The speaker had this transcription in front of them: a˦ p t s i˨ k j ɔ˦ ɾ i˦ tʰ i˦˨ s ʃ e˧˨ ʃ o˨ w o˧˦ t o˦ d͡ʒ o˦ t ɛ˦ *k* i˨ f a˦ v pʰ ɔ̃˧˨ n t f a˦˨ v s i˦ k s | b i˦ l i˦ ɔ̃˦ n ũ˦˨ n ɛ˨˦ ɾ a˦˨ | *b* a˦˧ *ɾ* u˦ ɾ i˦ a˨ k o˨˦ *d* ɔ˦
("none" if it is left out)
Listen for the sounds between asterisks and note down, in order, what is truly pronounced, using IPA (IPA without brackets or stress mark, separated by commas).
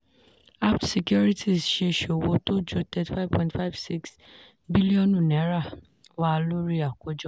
t, w, l, d͡ʒ